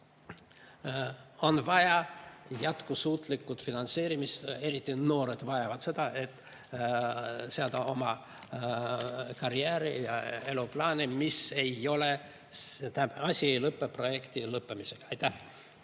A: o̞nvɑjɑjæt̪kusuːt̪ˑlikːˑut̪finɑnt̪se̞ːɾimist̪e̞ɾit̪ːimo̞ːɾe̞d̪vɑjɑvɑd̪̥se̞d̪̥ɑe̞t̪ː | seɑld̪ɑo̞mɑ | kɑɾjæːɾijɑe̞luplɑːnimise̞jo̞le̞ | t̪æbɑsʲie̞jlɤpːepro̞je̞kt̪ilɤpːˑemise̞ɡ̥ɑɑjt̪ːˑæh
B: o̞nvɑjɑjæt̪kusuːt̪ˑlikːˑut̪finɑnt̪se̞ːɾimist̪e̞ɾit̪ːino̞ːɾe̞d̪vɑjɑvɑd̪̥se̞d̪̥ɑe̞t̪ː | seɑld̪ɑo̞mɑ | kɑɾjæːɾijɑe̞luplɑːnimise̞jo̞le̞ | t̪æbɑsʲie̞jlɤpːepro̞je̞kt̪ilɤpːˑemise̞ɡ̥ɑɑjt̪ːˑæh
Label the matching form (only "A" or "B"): B